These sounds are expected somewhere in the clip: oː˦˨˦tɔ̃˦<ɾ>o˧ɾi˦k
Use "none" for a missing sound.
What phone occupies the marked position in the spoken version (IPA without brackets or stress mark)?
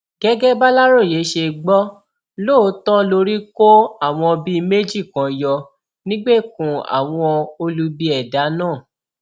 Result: l